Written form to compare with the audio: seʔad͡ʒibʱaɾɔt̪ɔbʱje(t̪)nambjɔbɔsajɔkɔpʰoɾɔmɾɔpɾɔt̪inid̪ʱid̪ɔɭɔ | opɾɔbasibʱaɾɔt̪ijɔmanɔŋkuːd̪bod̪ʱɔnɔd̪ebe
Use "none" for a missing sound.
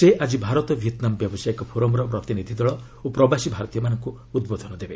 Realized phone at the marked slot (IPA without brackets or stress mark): t̪